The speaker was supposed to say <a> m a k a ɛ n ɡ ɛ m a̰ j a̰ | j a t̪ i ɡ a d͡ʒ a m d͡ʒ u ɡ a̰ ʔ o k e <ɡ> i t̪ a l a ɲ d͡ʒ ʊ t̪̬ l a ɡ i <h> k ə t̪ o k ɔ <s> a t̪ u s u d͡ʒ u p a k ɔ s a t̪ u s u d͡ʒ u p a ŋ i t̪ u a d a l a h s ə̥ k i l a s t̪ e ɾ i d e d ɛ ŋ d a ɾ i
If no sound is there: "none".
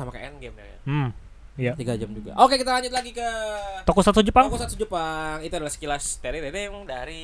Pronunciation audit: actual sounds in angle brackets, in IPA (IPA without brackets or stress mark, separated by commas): a, k, none, s